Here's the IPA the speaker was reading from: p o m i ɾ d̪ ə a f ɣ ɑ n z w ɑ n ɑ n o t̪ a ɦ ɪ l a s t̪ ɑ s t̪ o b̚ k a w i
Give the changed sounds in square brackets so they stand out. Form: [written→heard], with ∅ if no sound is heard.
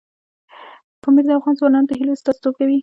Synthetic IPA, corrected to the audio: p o m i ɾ d̪ ə a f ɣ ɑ n z w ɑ n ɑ n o t̪ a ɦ [ɪ→i] l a s t̪ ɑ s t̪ o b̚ k a w i